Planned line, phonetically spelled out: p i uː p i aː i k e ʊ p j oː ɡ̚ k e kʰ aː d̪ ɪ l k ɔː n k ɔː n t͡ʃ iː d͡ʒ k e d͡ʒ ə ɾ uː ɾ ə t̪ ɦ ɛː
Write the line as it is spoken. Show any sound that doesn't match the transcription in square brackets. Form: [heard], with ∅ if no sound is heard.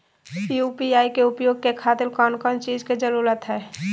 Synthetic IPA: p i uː p i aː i k e ʊ p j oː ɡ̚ k e kʰ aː [t̪] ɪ l k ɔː n k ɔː n t͡ʃ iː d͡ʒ k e d͡ʒ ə ɾ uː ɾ ə t̪ ɦ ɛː